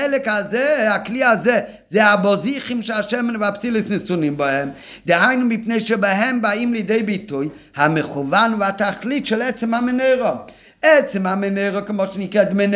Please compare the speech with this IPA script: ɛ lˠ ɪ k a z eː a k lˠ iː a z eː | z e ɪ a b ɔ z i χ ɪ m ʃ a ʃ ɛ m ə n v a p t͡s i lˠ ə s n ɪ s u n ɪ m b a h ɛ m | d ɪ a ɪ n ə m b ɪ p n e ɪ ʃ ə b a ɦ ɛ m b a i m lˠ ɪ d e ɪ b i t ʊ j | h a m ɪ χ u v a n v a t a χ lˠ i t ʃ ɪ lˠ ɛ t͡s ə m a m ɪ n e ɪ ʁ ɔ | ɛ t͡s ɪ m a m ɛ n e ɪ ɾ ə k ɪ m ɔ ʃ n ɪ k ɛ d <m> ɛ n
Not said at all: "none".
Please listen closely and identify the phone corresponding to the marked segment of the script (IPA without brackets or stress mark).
m